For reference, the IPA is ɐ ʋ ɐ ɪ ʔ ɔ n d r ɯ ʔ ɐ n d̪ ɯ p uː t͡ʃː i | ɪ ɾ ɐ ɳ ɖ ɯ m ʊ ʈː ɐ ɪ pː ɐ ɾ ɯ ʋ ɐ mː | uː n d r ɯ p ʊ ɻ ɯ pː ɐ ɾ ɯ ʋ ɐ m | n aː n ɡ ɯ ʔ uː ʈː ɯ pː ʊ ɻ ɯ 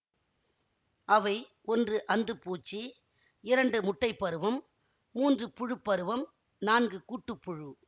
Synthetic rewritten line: ɐ ʋ ɐ ɪ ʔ ɔ n d r ɯ ʔ ɐ n d̪ ɯ p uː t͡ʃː i | ɪ ɾ ɐ ɳ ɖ ɯ m ʊ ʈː ɐ ɪ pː ɐ ɾ ɯ ʋ ɐ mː | uː n d r ɯ p ʊ ɻ ɯ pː ɐ ɾ ɯ ʋ ɐ m | n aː n ɡ ɯ k uː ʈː ɯ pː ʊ ɻ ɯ